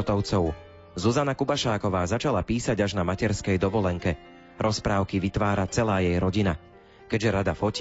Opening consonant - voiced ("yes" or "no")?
no